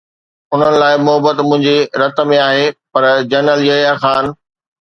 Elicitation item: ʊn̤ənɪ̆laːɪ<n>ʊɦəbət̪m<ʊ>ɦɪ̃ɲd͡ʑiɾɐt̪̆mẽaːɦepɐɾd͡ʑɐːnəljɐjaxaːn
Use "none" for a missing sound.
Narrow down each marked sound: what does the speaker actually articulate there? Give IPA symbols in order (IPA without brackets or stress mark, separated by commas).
m, ʊ̃